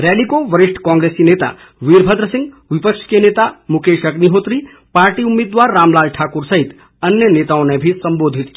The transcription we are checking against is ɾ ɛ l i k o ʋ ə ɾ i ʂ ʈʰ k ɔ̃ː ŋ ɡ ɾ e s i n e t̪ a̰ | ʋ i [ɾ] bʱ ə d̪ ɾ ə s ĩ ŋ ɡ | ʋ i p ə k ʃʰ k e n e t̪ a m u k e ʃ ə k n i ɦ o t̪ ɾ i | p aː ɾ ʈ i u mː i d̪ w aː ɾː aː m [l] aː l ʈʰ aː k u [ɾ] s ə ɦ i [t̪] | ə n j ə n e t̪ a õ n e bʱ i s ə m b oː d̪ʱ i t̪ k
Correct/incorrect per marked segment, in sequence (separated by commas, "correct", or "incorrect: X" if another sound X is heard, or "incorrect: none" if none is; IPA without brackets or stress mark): correct, correct, correct, correct